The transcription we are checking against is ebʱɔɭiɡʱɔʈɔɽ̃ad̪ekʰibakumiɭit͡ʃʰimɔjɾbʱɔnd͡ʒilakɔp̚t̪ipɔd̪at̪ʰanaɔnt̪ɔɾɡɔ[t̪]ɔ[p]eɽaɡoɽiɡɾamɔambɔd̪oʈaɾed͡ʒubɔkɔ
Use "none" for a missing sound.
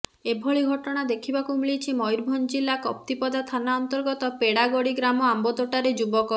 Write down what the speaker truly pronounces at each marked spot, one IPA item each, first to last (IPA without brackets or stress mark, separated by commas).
t̪, p